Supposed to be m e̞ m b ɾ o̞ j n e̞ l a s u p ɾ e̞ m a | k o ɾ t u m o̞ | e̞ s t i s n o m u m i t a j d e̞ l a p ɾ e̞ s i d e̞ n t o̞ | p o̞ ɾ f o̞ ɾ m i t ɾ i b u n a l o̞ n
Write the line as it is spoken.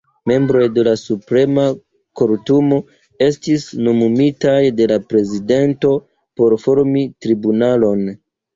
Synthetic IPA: m e̞ m b ɾ o̞ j d e̞ l a s u p ɾ e̞ m a | k o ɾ t u m o̞ | e̞ s t i s n o m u m i t a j d e̞ l a p ɾ e̞ z i d e̞ n t o̞ | p o̞ ɾ f o̞ ɾ m i t ɾ i b u n a l o̞ n